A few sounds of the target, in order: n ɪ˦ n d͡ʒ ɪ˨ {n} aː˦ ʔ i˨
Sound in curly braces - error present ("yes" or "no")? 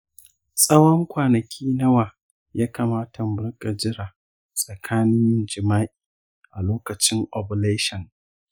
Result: yes